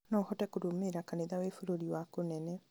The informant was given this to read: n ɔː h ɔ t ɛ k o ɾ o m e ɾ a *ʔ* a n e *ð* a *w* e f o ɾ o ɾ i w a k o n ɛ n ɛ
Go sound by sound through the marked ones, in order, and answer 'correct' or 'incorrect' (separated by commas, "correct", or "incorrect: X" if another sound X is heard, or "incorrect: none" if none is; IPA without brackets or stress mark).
incorrect: k, correct, correct